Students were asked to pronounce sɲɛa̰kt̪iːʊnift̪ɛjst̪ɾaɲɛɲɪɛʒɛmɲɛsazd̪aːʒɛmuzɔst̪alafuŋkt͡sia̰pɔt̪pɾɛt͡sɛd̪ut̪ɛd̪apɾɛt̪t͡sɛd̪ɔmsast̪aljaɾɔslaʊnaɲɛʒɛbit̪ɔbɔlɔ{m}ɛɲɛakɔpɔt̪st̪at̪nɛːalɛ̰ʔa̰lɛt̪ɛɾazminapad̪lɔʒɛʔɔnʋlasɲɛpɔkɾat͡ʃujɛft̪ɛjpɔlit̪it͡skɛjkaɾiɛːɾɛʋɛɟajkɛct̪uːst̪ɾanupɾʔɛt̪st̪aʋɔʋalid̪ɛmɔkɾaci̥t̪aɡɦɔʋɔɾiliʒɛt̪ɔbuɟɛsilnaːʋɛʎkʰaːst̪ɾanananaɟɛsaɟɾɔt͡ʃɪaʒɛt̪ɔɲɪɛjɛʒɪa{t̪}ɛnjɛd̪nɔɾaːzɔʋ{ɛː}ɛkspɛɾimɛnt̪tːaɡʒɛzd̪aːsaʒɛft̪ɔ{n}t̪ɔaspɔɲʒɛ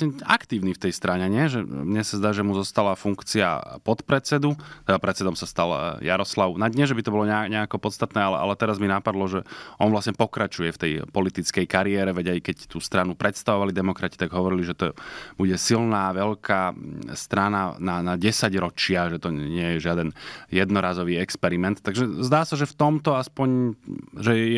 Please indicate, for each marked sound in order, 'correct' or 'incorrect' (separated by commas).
incorrect, incorrect, incorrect, incorrect